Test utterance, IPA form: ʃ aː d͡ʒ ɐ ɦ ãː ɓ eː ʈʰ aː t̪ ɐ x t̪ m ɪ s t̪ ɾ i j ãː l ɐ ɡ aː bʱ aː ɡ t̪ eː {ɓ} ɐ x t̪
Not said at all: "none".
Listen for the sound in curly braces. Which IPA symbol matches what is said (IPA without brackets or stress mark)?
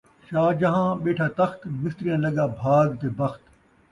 b